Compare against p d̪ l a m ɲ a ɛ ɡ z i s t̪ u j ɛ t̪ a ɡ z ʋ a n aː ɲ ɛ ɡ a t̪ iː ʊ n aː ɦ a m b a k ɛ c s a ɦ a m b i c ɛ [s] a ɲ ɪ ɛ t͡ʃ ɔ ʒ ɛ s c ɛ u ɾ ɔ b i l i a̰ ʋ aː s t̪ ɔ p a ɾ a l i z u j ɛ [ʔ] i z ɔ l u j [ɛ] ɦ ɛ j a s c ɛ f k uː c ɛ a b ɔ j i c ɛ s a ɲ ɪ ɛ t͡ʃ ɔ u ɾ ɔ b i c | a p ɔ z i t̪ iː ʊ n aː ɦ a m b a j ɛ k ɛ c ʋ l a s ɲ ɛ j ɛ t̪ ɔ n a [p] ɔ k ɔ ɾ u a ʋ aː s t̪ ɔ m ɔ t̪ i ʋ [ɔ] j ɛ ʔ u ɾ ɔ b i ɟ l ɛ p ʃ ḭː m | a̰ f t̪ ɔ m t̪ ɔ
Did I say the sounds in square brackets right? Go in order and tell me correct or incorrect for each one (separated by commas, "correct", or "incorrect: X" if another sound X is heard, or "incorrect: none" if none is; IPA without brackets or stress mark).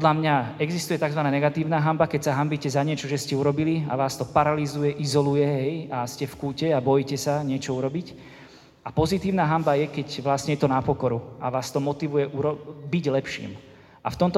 incorrect: z, correct, correct, correct, incorrect: u